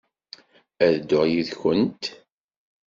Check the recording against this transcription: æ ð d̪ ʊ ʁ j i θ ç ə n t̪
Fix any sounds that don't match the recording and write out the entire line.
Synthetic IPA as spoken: æ ð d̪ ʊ ʁ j i ð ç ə n t̪